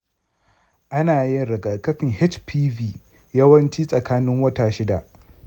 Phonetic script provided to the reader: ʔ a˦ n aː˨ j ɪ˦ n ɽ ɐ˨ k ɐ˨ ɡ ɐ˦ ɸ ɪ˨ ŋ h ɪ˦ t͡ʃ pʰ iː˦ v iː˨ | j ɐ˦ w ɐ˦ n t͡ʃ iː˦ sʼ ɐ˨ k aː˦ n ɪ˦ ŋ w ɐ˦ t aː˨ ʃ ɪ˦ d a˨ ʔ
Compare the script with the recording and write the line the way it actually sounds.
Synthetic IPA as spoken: ʔ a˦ n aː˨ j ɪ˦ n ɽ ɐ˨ ɡ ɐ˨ k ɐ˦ ɸ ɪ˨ ŋ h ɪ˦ t͡ʃ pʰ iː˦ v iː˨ | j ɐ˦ w ɐ˦ n t͡ʃ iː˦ sʼ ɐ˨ k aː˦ n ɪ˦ ŋ w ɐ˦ t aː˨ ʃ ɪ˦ d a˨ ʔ